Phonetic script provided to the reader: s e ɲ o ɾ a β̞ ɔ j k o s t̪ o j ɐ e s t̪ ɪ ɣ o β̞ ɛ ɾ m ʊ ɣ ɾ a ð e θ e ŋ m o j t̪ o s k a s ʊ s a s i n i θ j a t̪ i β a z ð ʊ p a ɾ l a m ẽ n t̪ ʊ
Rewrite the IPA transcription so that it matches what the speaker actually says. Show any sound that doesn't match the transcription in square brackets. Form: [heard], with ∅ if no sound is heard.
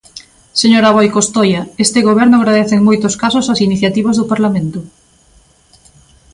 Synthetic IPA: s e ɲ o ɾ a β̞ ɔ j k o s t̪ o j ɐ e s t̪ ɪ ɣ o β̞ ɛ ɾ [n] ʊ ɣ ɾ a ð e θ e ŋ m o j t̪ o s k a s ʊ s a s i n i θ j a t̪ i β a z ð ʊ p a ɾ l a m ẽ n t̪ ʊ